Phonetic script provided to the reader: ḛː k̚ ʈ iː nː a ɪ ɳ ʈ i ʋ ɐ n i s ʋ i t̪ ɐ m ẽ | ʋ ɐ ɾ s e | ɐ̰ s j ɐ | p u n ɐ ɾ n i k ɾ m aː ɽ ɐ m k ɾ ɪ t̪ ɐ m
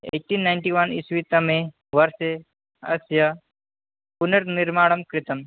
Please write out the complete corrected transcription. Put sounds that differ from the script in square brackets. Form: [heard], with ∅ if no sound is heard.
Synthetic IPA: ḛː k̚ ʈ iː nː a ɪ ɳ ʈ i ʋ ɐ n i s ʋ i t̪ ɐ m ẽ | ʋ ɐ ɾ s e | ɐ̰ s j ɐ | p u n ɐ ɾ n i [∅] ɾ m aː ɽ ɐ m k ɾ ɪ t̪ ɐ m